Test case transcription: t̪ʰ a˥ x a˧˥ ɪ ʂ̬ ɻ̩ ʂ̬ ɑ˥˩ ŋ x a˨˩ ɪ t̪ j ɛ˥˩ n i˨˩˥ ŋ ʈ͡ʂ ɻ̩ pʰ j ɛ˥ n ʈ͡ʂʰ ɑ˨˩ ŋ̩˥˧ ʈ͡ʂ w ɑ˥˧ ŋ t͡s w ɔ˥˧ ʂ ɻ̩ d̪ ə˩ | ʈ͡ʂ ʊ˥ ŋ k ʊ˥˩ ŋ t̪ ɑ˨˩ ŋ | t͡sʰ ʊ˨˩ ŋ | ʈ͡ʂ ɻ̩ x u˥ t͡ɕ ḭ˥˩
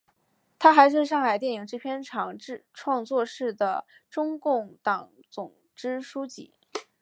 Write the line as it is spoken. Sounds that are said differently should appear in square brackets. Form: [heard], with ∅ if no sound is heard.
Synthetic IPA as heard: t̪ʰ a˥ x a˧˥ ɪ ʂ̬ ɻ̩ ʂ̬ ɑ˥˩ ŋ x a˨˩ ɪ t̪ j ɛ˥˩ n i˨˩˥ ŋ ʈ͡ʂ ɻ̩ pʰ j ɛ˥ n ʈ͡ʂʰ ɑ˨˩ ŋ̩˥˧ [ʈ͡ʂʰ] w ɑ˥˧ ŋ t͡s w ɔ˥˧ ʂ ɻ̩ d̪ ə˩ | ʈ͡ʂ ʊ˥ ŋ k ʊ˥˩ ŋ t̪ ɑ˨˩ ŋ | [t͡s] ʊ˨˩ ŋ | ʈ͡ʂ ɻ̩ [ʂ] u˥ t͡ɕ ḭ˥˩